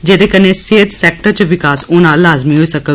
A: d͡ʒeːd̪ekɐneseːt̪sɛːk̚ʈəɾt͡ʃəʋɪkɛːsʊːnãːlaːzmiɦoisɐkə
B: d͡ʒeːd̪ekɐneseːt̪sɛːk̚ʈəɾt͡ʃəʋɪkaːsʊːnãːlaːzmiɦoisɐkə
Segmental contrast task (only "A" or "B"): B